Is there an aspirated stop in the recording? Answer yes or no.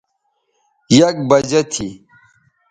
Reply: yes